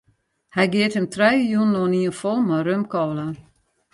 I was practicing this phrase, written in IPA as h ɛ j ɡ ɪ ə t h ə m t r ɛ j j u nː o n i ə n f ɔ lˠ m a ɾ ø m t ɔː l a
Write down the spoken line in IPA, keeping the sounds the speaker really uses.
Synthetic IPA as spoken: h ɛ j ɡ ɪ ə t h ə m t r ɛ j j u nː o n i ə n f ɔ lˠ m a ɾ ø m k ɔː l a